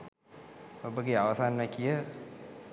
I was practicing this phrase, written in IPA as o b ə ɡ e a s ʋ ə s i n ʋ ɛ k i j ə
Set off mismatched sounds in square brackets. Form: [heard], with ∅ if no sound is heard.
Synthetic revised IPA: o b ə ɡ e a [∅] ʋ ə s [a] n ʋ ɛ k i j ə